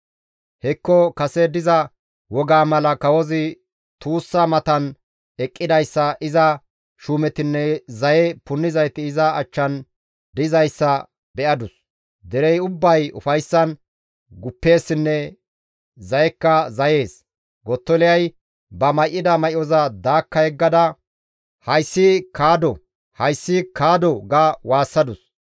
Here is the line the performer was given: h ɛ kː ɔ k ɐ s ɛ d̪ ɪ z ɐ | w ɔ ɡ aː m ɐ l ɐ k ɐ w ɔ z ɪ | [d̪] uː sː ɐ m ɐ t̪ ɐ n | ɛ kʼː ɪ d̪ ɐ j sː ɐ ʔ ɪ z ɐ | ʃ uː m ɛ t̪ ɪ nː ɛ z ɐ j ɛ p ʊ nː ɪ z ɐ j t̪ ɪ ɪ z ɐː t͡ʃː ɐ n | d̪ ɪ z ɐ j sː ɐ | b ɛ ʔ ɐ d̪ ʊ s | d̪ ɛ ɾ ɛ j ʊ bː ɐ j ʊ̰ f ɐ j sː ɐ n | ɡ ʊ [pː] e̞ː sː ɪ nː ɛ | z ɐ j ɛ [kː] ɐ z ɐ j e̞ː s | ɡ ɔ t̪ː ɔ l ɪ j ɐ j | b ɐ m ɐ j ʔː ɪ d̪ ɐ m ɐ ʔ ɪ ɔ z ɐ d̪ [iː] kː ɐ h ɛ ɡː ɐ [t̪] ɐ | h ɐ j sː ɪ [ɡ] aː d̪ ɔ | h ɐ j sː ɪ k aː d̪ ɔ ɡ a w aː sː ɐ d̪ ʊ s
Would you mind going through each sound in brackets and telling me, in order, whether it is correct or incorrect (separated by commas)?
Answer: incorrect, correct, correct, incorrect, incorrect, incorrect